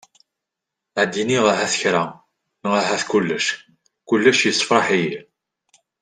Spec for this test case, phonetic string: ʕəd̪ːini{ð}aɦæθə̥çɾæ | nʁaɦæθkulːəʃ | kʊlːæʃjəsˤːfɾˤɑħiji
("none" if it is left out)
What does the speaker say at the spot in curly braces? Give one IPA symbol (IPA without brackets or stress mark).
ʁ